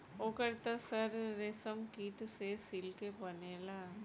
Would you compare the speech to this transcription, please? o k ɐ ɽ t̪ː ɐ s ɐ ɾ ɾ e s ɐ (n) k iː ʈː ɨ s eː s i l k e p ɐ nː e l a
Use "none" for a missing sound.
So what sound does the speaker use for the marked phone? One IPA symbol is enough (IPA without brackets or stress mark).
m